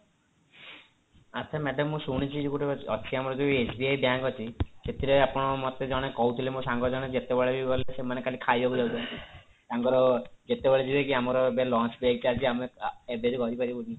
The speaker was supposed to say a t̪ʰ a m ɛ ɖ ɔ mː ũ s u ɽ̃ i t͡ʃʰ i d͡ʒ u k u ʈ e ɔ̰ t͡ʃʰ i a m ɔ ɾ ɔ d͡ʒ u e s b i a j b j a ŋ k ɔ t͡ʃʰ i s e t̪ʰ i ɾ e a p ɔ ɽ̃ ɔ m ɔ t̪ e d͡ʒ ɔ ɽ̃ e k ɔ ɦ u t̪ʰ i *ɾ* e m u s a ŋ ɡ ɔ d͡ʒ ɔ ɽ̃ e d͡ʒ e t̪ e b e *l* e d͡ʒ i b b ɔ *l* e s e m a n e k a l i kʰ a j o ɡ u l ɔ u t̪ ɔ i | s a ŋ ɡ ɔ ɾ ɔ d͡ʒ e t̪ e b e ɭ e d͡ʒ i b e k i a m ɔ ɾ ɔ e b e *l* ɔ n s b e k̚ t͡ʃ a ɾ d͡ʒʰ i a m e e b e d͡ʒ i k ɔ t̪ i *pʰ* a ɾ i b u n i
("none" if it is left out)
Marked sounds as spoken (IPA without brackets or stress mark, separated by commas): l, ɭ, l, l, p